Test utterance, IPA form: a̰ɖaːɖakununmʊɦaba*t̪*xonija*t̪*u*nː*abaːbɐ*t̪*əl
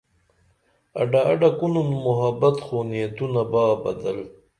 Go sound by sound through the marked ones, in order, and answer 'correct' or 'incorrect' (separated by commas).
correct, correct, incorrect, incorrect